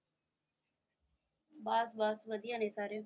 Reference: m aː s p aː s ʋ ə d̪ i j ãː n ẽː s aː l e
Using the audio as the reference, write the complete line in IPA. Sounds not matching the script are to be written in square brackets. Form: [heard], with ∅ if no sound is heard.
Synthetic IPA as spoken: [b] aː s [b] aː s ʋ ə d̪ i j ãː n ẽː s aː [ɾ] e